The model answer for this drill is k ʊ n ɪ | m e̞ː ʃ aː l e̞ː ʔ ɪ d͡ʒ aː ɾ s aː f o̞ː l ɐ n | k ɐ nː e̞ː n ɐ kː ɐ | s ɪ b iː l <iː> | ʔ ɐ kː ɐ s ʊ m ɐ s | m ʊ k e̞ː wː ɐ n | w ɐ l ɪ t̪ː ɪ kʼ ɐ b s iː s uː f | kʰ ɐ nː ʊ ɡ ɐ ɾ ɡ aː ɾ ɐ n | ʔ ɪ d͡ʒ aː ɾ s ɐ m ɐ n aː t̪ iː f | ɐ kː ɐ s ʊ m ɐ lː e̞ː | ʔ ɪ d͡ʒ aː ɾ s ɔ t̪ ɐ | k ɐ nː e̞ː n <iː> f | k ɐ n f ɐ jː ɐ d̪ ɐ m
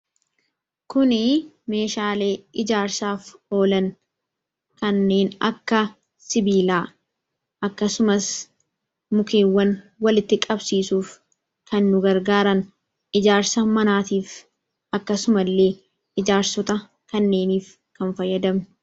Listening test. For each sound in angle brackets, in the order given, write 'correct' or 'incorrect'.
incorrect: aː, correct

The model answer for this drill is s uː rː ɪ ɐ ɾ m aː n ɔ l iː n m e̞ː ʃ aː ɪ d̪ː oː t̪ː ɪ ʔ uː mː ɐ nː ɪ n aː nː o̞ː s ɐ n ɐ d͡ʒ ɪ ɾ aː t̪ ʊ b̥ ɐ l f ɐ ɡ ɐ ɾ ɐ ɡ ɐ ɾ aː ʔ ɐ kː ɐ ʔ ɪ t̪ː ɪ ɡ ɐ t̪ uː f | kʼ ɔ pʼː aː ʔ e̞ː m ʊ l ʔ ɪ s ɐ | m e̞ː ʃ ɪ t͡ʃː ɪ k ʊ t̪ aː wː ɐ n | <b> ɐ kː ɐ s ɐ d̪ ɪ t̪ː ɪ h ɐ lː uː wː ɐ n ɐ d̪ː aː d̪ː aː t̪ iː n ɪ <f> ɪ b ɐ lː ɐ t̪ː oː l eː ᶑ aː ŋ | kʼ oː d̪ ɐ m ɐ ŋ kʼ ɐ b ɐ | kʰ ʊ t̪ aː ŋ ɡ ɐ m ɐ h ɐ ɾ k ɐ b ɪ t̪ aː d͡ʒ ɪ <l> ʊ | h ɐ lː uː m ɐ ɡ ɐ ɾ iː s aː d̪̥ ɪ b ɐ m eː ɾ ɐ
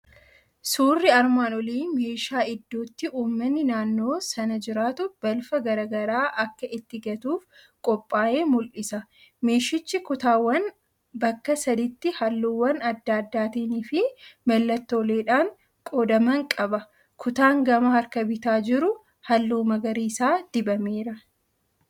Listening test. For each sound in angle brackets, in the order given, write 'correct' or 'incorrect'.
correct, correct, incorrect: ɾ

